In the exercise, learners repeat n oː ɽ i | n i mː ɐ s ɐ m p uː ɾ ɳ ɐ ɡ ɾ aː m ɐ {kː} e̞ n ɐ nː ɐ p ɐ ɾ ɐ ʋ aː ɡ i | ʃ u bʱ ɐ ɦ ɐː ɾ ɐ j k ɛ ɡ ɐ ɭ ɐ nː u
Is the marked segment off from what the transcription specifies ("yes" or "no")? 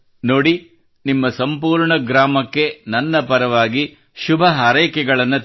no